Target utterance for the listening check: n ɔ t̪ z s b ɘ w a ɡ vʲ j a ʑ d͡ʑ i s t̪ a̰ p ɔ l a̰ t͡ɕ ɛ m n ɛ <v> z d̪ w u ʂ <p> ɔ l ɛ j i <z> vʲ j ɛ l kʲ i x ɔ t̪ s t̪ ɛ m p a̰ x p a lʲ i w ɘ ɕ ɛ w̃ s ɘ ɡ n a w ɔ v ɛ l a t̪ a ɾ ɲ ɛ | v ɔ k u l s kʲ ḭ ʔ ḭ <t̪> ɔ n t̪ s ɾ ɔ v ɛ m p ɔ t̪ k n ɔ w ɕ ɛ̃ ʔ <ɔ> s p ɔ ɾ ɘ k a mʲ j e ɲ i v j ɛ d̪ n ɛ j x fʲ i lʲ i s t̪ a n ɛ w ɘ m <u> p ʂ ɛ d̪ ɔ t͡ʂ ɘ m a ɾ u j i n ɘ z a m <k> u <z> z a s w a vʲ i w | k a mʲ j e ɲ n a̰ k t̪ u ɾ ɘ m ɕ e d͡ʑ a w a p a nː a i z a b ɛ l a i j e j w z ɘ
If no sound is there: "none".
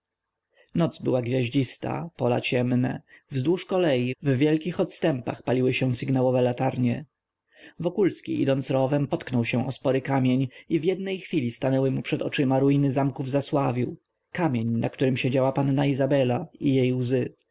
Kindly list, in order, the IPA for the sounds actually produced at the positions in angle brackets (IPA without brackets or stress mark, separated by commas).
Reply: v, k, v, d̪, ɔ, u, k, v